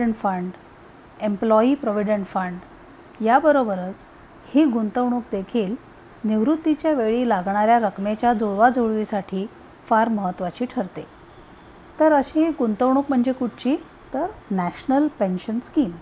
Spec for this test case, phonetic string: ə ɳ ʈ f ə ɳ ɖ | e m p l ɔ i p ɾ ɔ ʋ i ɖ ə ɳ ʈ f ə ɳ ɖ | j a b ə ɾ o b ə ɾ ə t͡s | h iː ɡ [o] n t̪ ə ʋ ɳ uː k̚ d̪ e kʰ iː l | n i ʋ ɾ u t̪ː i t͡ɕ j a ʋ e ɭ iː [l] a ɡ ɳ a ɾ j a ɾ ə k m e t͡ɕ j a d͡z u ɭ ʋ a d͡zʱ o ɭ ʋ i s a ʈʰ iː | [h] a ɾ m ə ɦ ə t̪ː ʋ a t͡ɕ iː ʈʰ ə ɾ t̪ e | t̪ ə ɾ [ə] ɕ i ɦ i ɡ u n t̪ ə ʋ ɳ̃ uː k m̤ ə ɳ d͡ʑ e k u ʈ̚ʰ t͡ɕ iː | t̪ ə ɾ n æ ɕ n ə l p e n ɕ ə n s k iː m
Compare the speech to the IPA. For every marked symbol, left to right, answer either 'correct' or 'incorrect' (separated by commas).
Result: incorrect, correct, incorrect, correct